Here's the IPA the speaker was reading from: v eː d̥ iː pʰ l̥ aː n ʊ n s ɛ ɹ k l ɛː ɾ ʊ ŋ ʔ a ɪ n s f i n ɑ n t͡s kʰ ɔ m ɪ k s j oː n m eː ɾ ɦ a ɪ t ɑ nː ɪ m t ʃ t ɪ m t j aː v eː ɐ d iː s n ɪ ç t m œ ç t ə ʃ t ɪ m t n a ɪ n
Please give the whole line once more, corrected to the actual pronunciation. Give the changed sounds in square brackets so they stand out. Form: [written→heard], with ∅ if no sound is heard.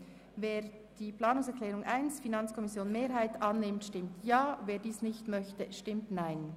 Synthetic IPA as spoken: v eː d̥ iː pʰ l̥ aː n ʊ [n→ŋ] s ɛ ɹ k l ɛː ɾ ʊ ŋ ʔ a ɪ n s f i n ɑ n t͡s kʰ ɔ m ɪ [k→∅] s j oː n m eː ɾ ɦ a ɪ t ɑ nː ɪ m t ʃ t ɪ m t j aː v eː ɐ d iː s n ɪ ç t m œ ç t ə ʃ t ɪ m t n a ɪ n